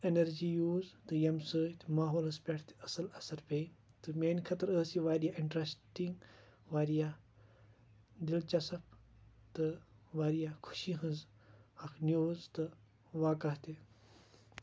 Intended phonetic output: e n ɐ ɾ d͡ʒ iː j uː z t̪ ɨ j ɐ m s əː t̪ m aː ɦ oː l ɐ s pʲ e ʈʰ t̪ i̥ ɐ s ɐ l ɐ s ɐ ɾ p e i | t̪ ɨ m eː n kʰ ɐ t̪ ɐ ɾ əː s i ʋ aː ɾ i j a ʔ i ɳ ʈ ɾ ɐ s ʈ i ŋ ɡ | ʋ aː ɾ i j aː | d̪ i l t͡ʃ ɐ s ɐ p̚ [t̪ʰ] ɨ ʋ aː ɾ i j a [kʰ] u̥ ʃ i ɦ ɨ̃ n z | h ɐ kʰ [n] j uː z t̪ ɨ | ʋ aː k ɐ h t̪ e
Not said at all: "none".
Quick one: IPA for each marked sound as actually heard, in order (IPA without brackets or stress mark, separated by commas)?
t̪, kʰ, n